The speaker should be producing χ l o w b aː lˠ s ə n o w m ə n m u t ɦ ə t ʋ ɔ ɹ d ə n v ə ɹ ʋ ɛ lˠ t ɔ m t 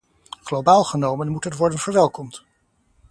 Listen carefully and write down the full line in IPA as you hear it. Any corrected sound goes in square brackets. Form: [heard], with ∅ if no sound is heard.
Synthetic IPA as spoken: χ l o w b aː lˠ [χ] ə n o w m ə n m u t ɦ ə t ʋ ɔ ɹ d ə n v ə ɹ ʋ ɛ lˠ [k] ɔ m t